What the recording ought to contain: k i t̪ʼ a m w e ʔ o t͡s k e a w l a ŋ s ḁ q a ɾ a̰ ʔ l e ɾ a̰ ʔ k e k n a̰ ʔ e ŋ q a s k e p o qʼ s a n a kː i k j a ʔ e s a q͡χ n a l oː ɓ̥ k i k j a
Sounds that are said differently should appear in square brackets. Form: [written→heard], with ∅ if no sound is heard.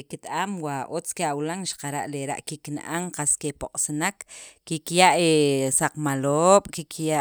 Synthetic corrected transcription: k i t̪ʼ a m w [e→a] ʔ o t͡s k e a w l a ŋ [s→ʃ] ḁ q a ɾ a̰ ʔ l e ɾ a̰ ʔ k [e→i] k n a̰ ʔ [e→a] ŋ q a s k e p o qʼ s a n a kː i k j a ʔ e s a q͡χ [n→m] a l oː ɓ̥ k i k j a

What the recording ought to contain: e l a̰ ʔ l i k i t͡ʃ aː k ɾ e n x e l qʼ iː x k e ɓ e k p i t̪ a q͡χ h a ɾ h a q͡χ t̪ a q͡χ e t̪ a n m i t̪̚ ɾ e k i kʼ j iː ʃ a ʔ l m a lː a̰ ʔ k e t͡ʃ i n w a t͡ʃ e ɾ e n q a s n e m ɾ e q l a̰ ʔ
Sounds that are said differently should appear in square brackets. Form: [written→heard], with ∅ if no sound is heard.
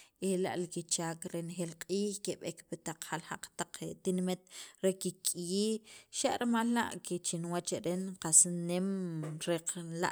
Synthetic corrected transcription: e l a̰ ʔ l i k i t͡ʃ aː k ɾ e n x e l qʼ iː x k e ɓ e k p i t̪ a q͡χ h a [ɾ→l] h a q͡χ t̪ a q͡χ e t̪ [a→i] n m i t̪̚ ɾ e k i kʼ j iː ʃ a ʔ [l→ɾ] m a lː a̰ ʔ k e t͡ʃ i n w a t͡ʃ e ɾ e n q a s n e m ɾ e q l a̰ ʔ

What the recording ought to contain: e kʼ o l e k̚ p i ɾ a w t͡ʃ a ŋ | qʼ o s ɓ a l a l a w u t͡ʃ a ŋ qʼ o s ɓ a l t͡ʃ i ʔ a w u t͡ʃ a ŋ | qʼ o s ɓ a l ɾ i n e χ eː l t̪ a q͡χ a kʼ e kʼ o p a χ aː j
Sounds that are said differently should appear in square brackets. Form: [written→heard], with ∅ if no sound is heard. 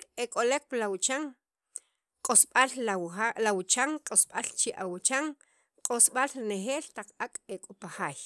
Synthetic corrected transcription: e kʼ o l e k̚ p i [ɾ→l] a w t͡ʃ a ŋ | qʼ o s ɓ a l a l a w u t͡ʃ a ŋ qʼ o s ɓ a l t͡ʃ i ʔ a w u t͡ʃ a ŋ | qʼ o s ɓ a l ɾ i n e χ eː l t̪ a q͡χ a kʼ e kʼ o p a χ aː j

